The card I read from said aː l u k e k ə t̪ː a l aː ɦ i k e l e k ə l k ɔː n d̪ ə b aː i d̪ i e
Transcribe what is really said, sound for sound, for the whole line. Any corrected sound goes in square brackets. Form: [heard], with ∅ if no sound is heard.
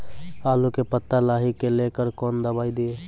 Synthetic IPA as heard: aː l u k e [p] ə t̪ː a l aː ɦ i k e l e k ə [ɾ] k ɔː n d̪ ə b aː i d̪ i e